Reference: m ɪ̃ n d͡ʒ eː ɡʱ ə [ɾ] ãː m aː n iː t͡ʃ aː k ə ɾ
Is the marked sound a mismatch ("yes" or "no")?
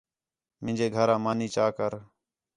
no